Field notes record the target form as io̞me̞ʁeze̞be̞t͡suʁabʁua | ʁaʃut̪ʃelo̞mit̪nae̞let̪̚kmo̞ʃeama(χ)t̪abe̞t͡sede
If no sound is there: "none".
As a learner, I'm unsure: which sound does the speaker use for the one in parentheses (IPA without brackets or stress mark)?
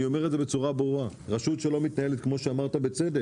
ʁ